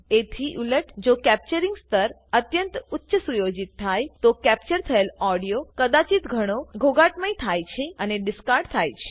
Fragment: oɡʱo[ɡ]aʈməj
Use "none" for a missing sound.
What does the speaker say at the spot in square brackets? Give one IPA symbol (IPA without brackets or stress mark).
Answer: ɡ